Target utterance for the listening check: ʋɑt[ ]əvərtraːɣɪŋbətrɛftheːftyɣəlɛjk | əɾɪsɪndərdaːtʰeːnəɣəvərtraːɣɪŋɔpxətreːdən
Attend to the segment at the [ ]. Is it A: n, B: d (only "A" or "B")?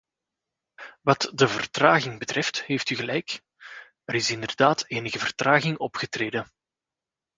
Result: B